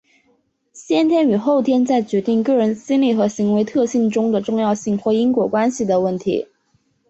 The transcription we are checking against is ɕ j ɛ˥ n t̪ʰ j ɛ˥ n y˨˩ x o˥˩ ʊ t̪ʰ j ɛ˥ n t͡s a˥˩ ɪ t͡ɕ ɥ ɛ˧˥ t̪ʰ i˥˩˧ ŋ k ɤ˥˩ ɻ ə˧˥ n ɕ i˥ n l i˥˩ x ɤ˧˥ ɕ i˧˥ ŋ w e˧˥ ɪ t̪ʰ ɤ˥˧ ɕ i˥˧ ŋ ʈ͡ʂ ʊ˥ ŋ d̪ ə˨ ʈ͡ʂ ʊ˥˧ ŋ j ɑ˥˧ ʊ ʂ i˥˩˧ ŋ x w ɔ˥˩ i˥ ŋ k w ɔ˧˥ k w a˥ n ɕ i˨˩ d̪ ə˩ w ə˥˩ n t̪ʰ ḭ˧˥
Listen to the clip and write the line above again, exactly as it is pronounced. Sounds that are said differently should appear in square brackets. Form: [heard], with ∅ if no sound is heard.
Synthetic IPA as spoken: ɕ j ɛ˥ n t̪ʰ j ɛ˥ n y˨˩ x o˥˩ ʊ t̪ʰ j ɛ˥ n t͡s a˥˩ ɪ t͡ɕ ɥ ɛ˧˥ [t̪] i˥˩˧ ŋ k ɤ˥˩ ɻ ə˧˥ n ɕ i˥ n l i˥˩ x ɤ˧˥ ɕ i˧˥ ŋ w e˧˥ ɪ t̪ʰ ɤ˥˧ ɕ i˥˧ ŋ ʈ͡ʂ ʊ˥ ŋ d̪ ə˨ ʈ͡ʂ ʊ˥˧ ŋ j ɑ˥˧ ʊ [ɕ] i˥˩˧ ŋ x w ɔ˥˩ i˥ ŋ k w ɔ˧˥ k w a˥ n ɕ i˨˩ d̪ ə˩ w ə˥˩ n t̪ʰ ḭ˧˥